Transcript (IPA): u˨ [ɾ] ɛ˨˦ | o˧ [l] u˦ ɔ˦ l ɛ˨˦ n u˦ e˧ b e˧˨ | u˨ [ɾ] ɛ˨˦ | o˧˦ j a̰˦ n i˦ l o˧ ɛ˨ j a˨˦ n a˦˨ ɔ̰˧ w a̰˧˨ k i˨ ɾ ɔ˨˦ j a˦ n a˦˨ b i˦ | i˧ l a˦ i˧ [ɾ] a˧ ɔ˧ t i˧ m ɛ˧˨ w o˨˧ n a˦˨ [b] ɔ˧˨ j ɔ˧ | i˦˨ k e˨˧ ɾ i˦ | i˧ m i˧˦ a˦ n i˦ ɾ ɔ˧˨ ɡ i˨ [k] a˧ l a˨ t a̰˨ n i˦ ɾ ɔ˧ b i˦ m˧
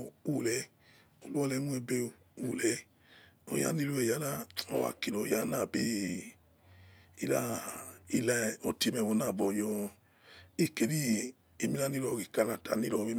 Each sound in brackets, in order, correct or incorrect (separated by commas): incorrect, correct, incorrect, incorrect, correct, correct